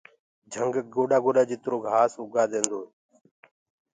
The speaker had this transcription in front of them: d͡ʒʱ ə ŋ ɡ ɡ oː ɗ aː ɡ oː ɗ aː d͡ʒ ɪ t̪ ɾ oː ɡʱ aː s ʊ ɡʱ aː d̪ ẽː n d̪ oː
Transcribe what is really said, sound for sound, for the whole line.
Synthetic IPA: d͡ʒʱ ə ŋ ɡ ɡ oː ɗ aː ɡ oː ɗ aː d͡ʒ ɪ t̪ ɾ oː ɡʱ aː s ʊ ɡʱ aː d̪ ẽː n d̪ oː